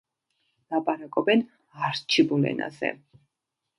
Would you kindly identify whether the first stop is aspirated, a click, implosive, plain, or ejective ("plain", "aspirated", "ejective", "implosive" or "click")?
ejective